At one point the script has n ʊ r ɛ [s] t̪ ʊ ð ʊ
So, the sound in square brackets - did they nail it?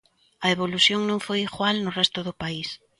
yes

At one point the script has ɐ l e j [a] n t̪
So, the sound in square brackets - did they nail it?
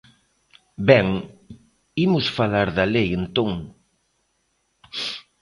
no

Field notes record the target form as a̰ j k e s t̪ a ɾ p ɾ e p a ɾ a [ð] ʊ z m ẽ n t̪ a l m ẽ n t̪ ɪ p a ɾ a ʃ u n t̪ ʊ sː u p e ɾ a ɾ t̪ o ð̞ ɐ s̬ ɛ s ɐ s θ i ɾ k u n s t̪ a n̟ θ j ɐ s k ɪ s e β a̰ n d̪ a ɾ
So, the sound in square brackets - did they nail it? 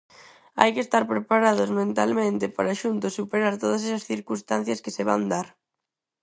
yes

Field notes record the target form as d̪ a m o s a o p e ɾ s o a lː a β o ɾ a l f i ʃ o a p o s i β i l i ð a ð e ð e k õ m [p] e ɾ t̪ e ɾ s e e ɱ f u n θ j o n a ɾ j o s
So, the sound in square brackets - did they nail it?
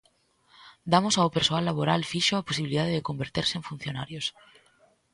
no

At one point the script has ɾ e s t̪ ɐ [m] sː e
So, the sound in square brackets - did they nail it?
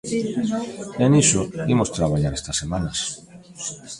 no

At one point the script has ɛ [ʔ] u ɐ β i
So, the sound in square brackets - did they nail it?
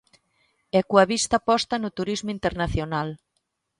no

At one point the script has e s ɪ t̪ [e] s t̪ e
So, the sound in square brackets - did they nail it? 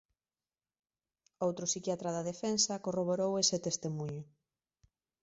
yes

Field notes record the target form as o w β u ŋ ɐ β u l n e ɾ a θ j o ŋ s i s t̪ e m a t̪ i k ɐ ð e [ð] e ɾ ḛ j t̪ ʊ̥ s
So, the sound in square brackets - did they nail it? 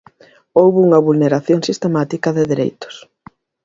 yes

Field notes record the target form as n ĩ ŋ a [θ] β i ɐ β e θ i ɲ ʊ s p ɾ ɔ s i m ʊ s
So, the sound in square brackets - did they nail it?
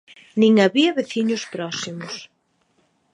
no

